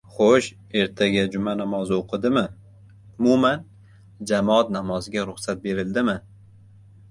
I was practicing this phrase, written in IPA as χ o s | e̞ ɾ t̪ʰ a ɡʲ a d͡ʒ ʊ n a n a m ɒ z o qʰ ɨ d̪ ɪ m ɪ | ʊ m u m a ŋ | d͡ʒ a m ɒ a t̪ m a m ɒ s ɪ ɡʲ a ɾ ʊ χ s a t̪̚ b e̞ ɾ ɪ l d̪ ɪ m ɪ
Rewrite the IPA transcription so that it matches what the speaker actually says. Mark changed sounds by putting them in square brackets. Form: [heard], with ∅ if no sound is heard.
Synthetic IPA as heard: χ o [ʃ] | e̞ ɾ t̪ʰ a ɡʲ a d͡ʒ ʊ [m] a n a m ɒ z o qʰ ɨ d̪ ɪ m ɪ | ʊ m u m a [n] | d͡ʒ a m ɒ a t̪ [n] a m ɒ [z] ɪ ɡʲ a ɾ ʊ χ s a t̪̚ b e̞ ɾ ɪ l d̪ ɪ m ɪ

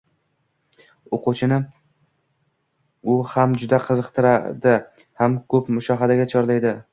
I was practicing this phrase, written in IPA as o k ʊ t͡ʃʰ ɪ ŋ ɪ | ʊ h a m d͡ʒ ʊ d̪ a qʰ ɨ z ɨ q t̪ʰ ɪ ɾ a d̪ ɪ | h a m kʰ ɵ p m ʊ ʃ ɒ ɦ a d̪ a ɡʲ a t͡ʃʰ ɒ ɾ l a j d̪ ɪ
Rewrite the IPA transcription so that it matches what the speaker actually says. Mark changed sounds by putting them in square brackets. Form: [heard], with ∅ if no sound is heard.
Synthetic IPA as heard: o [q] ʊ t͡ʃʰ ɪ [n] ɪ | ʊ h a m d͡ʒ ʊ d̪ a qʰ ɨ z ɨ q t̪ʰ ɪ ɾ a d̪ ɪ | h a m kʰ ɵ p m ʊ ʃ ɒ ɦ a d̪ a ɡʲ a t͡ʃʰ ɒ ɾ l a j d̪ ɪ

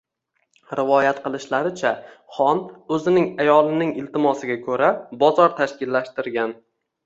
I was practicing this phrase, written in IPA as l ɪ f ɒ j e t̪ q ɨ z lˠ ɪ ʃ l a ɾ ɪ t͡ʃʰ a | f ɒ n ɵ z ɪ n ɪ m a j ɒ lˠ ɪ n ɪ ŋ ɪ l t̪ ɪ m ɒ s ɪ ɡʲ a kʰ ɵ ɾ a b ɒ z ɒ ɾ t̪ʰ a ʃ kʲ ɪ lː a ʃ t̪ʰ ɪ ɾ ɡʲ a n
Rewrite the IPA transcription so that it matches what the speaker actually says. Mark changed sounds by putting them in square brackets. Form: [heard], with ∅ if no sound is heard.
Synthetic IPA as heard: [ɾ] ɪ [v] ɒ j [a] t̪ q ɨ [∅] lˠ ɪ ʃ l a ɾ ɪ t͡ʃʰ a | [χ] ɒ n ɵ z ɪ n ɪ [ŋ] a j ɒ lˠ ɪ n ɪ ŋ ɪ l t̪ ɪ m ɒ s ɪ ɡʲ a kʰ ɵ ɾ a b ɒ z ɒ ɾ t̪ʰ a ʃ kʲ ɪ lː a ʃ [t̪] ɪ ɾ ɡʲ a n

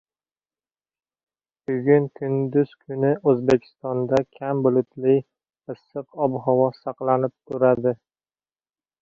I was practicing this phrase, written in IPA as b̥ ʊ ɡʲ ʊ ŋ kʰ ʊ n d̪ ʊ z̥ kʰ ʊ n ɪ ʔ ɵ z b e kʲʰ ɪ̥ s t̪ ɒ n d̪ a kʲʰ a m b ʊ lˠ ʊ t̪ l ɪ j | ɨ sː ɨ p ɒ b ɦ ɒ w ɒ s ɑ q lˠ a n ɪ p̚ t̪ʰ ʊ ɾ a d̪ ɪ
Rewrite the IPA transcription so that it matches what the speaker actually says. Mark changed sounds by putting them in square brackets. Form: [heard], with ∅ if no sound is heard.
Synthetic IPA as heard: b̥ ʊ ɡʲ ʊ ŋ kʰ ʊ n d̪ ʊ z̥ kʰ ʊ n ɪ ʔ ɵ z b e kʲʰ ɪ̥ s t̪ ɒ n d̪ a kʲʰ a m b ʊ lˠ ʊ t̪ l ɪ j | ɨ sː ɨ [q] ɒ b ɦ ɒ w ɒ s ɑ q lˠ a n ɪ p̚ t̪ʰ ʊ ɾ a d̪ ɪ

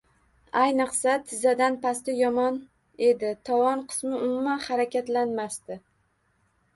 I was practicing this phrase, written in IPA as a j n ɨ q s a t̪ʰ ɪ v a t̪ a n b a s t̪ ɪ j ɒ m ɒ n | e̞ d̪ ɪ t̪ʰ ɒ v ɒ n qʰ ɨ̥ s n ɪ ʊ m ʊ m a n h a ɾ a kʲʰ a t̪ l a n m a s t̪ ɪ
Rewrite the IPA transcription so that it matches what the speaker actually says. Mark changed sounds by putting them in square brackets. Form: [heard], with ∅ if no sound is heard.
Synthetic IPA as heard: a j n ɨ q s a t̪ʰ ɪ [z] a [d̪] a n [p] a s t̪ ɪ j ɒ m ɒ n | e̞ d̪ ɪ t̪ʰ ɒ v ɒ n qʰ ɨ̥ s [m] ɪ ʊ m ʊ m a n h a ɾ a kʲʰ a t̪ l a n m a s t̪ ɪ

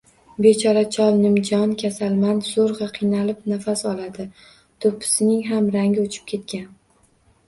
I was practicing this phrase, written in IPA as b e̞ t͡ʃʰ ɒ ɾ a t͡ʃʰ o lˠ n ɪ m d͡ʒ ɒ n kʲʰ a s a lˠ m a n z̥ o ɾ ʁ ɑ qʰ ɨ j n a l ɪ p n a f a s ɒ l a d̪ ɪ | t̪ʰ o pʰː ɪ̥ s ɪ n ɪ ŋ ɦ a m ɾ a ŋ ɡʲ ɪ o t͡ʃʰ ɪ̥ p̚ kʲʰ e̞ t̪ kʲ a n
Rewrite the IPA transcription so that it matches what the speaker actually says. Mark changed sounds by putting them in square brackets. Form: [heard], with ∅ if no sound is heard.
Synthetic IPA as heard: b e̞ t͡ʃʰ ɒ ɾ a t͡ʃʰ [ɒ] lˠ n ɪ m d͡ʒ ɒ n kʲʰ a s a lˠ m a n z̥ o ɾ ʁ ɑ qʰ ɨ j n a l ɪ p n a f a s ɒ l a d̪ ɪ | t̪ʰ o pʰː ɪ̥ s ɪ n ɪ ŋ ɦ a m ɾ a ŋ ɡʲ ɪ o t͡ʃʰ ɪ̥ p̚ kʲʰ e̞ t̪ kʲ a n

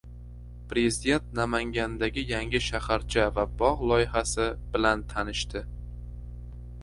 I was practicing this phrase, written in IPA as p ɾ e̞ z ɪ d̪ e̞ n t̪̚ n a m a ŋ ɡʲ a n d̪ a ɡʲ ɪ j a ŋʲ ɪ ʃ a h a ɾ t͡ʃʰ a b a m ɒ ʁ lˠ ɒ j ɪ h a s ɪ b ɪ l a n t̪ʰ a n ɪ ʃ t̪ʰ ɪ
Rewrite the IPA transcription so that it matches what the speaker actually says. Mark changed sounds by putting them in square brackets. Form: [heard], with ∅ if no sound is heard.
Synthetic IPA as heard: p ɾ e̞ z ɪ d̪ e̞ n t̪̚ n a m a ŋ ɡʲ a n d̪ a ɡʲ ɪ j a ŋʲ ɪ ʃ a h a ɾ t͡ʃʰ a [v] a [b] ɒ ʁ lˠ ɒ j ɪ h a s ɪ b ɪ l a n t̪ʰ a n ɪ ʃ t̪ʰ ɪ

